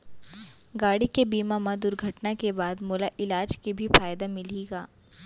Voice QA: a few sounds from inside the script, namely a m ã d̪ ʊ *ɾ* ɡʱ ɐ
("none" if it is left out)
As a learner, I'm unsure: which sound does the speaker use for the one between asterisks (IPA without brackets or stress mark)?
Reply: ɾ